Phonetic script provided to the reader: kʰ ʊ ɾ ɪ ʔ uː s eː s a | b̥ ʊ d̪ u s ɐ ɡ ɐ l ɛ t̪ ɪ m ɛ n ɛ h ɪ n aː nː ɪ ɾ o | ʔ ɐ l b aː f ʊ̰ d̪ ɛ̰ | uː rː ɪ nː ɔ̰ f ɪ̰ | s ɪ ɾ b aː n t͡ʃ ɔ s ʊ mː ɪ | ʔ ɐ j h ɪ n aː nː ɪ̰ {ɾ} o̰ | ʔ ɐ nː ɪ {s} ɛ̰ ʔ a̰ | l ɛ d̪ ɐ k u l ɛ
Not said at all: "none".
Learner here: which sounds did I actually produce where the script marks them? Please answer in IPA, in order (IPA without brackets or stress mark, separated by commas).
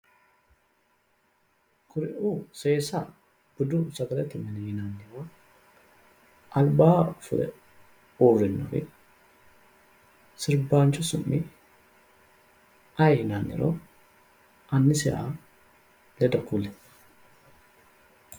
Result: ɾ, s